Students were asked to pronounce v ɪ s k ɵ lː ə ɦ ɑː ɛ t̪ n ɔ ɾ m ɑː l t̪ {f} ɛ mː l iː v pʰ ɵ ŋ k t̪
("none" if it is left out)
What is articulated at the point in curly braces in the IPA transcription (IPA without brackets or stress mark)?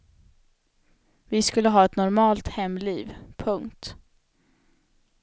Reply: h